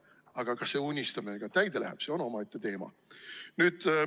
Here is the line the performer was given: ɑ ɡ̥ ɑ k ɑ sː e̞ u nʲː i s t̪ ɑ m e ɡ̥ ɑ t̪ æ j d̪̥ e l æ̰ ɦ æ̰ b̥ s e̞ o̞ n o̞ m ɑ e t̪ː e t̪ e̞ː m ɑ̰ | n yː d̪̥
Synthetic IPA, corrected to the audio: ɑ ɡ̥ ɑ k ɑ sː e̞ u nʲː i s t̪ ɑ m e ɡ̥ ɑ t̪ æ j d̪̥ e l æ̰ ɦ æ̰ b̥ s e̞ o̞ n o̞ m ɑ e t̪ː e t̪ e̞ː m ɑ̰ | n yː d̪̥